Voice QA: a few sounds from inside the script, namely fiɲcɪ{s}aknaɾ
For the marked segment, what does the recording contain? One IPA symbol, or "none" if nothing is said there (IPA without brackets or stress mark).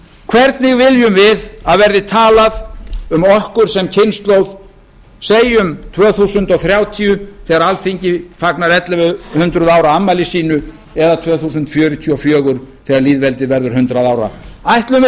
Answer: f